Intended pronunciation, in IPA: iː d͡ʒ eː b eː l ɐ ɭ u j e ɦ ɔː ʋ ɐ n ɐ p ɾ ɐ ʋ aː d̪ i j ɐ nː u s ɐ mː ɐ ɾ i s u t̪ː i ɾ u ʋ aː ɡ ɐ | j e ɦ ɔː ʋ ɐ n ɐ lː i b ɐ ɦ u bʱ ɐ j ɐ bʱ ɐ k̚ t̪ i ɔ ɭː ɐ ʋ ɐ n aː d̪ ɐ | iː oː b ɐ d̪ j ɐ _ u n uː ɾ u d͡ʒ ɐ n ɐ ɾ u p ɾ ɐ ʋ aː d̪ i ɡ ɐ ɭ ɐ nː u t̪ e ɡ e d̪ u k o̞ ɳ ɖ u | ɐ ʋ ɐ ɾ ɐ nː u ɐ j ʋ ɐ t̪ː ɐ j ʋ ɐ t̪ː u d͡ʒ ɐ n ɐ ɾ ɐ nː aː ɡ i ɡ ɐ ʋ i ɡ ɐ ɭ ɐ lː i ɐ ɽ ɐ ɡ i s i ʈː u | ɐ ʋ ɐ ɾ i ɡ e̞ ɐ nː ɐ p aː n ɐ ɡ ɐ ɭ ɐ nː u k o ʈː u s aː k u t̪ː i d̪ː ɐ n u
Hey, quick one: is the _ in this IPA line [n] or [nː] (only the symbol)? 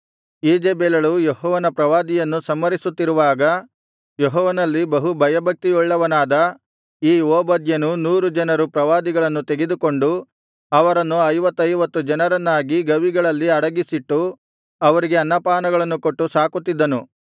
n